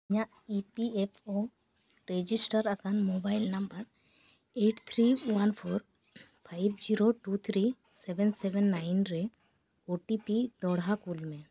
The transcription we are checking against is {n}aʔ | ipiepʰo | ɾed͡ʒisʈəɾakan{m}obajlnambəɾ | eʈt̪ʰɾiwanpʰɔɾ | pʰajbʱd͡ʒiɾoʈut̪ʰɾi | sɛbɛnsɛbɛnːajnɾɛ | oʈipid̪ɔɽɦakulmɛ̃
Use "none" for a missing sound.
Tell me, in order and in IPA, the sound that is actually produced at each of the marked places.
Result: ɲ, m

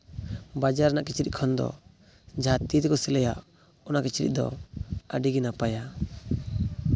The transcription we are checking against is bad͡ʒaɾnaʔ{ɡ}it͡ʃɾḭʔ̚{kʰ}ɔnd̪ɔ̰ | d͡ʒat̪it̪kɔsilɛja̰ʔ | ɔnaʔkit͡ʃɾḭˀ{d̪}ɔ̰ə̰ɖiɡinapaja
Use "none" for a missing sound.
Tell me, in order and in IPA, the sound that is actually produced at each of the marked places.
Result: k, kʰ, d̪

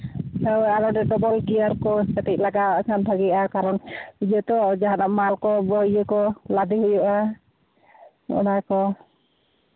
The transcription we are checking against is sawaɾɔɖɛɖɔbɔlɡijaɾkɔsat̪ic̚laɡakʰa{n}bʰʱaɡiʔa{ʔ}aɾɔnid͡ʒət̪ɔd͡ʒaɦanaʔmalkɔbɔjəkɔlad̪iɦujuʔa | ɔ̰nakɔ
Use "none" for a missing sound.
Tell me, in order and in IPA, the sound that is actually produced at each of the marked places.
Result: n, k

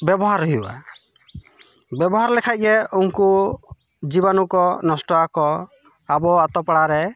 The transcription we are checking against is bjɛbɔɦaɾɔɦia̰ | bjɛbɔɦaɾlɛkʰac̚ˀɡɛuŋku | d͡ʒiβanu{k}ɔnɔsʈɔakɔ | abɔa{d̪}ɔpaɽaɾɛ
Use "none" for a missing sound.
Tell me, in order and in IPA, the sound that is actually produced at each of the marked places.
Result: k, t̪

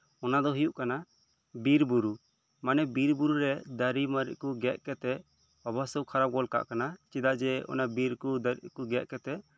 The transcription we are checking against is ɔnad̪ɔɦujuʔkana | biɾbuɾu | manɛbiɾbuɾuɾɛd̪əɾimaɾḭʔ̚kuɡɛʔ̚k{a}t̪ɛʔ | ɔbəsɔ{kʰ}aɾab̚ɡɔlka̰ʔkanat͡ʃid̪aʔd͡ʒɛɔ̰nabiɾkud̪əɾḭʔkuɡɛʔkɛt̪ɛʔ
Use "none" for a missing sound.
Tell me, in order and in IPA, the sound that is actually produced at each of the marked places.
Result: ɛ, kʰ

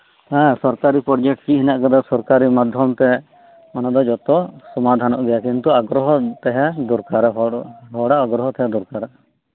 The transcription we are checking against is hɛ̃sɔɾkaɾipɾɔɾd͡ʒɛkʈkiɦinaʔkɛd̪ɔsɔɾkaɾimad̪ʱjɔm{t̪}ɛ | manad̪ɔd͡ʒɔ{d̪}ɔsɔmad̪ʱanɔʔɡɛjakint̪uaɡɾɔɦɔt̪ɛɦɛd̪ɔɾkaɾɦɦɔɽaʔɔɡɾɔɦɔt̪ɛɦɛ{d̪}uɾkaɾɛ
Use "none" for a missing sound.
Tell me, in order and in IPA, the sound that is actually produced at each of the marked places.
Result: t̪, t̪, d̪

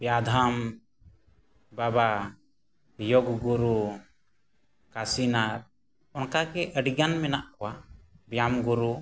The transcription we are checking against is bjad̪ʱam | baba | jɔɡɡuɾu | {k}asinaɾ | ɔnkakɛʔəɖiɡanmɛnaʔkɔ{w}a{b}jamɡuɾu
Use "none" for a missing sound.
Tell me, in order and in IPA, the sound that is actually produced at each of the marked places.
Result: k, w, b

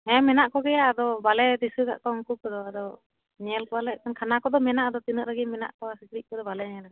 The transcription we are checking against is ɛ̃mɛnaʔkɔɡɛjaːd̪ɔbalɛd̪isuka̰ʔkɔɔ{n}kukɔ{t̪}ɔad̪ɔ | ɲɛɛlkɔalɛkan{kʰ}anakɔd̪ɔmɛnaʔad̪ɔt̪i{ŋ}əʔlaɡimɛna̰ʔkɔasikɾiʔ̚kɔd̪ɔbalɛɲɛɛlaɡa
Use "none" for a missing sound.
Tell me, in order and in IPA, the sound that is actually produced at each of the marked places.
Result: ŋ, d̪, kʰ, n

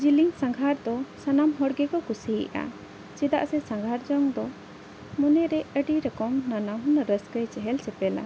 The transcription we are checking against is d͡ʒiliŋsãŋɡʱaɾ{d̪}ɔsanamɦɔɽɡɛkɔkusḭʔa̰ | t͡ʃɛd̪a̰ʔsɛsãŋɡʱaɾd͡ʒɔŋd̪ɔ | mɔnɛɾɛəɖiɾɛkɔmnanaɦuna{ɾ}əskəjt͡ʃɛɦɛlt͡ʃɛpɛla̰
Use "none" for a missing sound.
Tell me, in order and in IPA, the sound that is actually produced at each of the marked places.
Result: d̪, ɾ

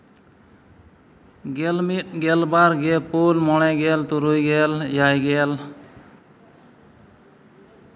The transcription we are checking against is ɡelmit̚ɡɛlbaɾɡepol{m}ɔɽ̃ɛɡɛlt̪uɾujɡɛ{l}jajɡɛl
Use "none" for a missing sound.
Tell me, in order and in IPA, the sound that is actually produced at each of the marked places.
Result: m, l

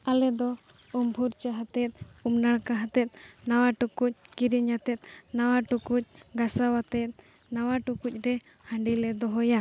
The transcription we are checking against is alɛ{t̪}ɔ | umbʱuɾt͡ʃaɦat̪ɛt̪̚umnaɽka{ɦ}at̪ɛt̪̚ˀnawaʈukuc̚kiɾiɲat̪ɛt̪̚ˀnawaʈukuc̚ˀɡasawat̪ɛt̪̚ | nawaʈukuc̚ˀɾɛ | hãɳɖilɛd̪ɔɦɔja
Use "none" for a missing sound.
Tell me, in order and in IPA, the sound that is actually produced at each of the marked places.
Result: d̪, ɦ

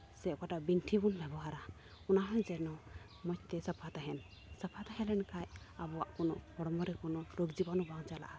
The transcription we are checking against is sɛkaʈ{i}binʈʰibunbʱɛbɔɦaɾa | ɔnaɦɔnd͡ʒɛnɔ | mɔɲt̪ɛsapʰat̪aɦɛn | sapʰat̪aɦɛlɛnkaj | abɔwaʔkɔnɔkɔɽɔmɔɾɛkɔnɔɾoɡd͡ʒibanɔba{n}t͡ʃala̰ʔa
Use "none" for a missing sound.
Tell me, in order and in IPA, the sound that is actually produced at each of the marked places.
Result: a, ŋ

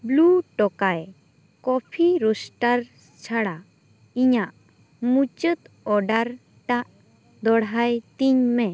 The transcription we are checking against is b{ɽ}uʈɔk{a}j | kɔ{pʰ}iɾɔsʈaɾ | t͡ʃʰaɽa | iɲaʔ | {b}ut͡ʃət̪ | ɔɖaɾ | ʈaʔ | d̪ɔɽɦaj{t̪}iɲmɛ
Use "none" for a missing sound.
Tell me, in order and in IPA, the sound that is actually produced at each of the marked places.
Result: l, a, pʰ, m, t̪

